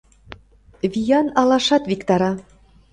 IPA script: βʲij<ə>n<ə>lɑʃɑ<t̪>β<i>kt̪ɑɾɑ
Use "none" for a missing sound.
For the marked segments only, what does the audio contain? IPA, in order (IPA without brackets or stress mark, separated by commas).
ɑ, ɑ, t̪, i